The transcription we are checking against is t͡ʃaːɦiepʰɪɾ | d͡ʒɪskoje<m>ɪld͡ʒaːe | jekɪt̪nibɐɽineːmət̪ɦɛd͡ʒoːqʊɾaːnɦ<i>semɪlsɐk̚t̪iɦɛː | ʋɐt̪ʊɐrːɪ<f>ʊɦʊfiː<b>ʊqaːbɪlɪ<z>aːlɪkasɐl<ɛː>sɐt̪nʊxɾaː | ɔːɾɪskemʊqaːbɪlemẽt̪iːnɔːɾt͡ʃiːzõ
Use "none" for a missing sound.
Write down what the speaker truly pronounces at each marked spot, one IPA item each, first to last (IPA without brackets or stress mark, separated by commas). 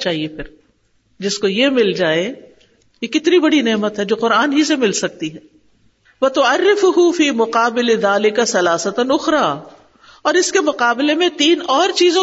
m, i, f, m, ð, aː